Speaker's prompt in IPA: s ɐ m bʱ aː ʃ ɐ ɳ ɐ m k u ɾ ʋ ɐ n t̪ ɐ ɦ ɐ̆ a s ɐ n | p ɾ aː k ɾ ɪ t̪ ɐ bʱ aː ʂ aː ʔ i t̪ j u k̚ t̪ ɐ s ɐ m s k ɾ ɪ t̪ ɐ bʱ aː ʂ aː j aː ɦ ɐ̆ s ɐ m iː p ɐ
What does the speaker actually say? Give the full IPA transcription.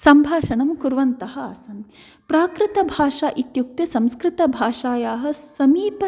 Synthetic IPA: s ɐ m bʱ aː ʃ ɐ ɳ ɐ m k u ɾ ʋ ɐ n t̪ ɐ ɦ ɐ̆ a s ɐ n | p ɾ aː k ɾ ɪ t̪ ɐ bʱ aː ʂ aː ʔ i t̪ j u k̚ t̪ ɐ s ɐ m s k ɾ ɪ t̪ ɐ bʱ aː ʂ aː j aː ɦ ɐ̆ s ɐ m iː p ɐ